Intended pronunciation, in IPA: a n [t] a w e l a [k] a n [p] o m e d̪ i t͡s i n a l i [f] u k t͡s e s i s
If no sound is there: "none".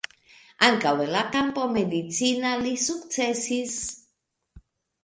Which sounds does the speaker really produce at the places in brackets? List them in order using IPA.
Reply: k, k, p, s

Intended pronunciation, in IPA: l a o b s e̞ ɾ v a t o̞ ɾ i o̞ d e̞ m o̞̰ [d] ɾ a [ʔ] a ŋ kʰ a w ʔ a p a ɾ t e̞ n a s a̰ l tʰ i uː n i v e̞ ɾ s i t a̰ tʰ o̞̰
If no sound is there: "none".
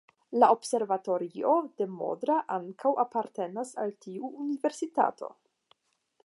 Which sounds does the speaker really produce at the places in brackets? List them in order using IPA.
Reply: d, ʔ

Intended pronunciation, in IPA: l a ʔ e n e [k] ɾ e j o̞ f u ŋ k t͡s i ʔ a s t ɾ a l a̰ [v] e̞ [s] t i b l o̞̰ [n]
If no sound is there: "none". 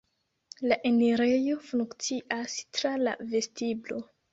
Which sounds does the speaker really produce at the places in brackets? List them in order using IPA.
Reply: none, v, s, none

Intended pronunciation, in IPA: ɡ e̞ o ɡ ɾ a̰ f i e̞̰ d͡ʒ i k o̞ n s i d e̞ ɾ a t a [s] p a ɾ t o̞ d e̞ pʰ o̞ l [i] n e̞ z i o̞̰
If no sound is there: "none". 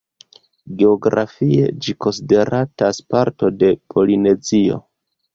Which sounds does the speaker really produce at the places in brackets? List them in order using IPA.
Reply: s, i

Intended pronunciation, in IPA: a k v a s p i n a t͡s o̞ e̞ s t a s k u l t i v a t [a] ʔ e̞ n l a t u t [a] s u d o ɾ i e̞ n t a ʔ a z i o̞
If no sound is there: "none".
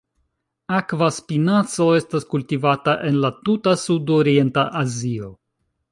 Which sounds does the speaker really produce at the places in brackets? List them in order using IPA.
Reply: a, a

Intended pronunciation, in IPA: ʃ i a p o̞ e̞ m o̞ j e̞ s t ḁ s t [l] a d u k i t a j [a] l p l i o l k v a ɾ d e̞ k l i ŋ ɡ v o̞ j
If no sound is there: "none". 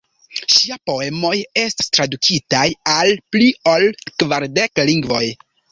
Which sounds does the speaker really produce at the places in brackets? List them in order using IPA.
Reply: ɾ, a

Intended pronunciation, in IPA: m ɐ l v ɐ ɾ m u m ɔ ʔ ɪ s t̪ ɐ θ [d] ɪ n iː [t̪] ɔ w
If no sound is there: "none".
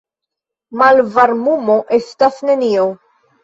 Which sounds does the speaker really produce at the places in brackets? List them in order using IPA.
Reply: n, none

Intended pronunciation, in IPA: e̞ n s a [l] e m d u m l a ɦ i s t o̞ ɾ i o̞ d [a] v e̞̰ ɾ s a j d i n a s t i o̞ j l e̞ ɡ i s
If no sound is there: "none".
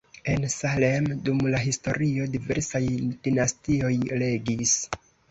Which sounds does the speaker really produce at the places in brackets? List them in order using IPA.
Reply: l, i

